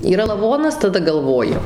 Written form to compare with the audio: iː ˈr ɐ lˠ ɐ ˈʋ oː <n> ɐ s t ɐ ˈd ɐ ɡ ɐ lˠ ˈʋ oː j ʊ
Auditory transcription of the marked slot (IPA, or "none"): n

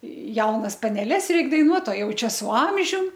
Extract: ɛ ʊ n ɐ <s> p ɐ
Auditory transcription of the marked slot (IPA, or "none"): s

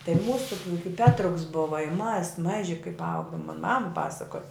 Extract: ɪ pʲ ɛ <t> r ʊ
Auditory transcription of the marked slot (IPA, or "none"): t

